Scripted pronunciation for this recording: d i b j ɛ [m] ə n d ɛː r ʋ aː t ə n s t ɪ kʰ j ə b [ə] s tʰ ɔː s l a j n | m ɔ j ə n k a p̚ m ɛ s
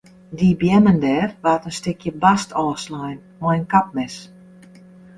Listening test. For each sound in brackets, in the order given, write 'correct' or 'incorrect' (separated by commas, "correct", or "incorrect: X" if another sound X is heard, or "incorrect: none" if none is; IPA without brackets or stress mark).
correct, incorrect: a